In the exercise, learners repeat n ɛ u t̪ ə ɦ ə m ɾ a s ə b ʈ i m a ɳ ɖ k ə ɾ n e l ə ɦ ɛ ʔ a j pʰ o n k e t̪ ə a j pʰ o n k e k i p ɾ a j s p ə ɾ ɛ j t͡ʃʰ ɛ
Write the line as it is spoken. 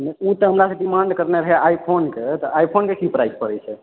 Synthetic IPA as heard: n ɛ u t̪ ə ɦ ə m ɾ a s ə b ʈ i m a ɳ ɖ k ə ɾ n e ɾ ə ɦ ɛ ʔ a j pʰ o n k e t̪ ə a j pʰ o n k e k i p ɾ a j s p ə ɾ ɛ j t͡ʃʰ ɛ